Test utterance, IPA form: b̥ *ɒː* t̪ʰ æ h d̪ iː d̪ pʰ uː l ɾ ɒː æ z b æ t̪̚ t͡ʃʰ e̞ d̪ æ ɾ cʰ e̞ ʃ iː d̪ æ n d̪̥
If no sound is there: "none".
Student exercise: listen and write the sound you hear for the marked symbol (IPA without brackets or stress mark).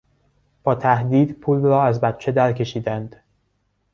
ɒː